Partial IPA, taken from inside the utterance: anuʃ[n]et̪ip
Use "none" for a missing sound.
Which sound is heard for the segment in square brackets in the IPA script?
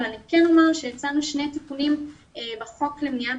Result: n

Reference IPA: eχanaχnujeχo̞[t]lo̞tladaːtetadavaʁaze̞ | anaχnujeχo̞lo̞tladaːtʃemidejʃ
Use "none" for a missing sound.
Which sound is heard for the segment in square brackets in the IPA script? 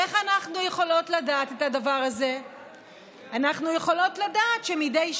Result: none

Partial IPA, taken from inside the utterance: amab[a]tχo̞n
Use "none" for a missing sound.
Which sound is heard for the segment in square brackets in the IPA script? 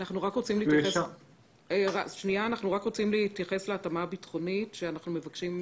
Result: i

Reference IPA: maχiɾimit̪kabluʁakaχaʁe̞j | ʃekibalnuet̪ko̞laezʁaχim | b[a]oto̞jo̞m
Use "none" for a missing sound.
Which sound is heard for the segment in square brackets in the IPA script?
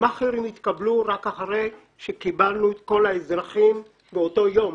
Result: e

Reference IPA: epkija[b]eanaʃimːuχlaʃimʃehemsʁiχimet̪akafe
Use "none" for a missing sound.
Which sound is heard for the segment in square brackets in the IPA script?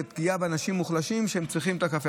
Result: b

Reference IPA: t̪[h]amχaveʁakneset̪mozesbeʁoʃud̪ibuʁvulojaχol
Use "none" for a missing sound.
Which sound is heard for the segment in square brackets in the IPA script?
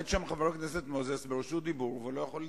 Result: ʃ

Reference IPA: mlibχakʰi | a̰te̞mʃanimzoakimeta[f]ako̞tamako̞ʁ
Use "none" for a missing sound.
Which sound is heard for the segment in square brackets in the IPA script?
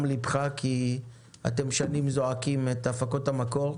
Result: f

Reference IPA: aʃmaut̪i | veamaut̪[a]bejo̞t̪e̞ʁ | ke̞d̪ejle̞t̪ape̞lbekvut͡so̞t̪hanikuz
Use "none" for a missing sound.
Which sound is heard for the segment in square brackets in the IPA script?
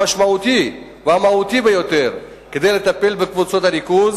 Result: i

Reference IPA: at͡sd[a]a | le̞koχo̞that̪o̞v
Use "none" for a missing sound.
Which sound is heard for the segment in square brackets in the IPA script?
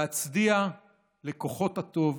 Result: i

